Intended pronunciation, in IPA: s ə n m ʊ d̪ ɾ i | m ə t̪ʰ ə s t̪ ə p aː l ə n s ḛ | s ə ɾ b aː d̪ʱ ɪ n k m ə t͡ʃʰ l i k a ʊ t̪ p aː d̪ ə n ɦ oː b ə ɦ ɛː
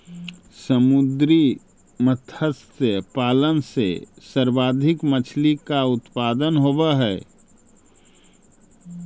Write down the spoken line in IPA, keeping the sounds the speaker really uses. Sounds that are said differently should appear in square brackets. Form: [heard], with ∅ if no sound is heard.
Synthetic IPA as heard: s ə [∅] m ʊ d̪ ɾ i | m ə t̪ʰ ə s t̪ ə p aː l ə n s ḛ | s ə ɾ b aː d̪ʱ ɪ [∅] k m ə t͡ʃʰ l i k a ʊ t̪ p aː d̪ ə n ɦ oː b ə ɦ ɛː